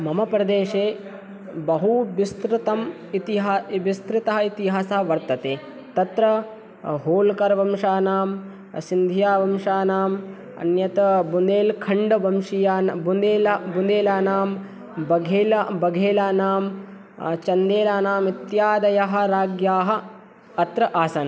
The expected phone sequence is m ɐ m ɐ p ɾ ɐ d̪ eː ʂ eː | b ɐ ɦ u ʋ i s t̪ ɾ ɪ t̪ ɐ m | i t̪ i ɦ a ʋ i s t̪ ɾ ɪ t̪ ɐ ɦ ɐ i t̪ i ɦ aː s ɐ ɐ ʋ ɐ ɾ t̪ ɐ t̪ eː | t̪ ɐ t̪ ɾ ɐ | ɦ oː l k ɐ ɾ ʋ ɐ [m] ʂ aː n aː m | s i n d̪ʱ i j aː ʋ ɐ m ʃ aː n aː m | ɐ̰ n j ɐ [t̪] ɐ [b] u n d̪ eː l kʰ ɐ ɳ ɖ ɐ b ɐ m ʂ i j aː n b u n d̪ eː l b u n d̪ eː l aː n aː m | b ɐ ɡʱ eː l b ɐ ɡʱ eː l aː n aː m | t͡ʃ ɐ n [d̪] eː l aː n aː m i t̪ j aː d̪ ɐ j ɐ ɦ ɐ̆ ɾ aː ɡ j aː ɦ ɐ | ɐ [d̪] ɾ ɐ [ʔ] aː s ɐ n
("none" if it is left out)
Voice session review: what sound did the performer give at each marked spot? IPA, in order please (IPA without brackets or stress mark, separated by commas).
m, t̪, b, d̪, t̪, ʔ